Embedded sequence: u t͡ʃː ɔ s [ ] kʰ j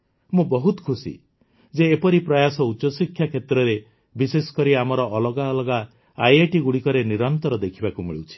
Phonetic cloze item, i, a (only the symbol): i